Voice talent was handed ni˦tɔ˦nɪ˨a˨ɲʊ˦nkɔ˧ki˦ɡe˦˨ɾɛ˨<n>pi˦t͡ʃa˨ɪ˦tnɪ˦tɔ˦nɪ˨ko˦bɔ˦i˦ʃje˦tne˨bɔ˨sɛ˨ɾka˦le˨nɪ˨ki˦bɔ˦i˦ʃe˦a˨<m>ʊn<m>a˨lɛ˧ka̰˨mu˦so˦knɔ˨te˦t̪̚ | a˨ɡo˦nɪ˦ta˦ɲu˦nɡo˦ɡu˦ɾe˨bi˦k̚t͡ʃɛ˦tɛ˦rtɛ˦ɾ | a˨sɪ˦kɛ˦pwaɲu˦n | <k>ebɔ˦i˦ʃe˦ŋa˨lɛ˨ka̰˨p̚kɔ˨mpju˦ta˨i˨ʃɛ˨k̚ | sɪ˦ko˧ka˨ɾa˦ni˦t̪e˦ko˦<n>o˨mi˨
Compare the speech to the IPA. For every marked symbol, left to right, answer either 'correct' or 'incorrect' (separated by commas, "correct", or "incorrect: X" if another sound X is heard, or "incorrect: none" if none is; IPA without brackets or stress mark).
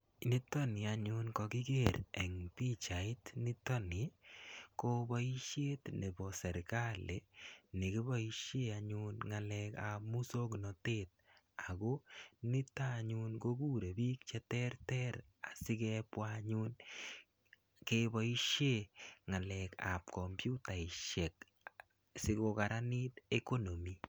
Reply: incorrect: ŋ, incorrect: ɲ, incorrect: ŋ, correct, correct